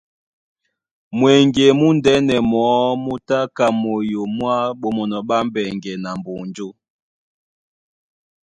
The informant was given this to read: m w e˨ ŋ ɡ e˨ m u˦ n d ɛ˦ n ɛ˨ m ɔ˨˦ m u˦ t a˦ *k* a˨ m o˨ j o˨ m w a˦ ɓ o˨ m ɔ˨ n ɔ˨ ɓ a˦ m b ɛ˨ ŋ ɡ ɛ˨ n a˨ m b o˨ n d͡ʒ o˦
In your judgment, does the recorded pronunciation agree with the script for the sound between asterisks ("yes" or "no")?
yes